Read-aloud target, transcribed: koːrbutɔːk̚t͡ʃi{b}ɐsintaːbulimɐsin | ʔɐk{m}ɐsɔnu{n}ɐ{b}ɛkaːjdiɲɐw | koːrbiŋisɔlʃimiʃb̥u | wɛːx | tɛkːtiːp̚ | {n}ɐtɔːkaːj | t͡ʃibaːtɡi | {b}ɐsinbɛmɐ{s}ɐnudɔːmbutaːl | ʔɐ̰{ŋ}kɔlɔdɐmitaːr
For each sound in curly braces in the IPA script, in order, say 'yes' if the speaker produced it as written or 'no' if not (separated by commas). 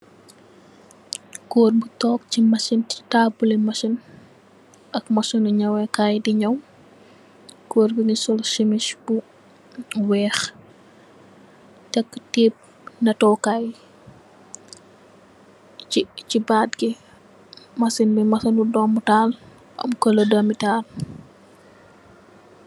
no, yes, no, no, yes, no, yes, no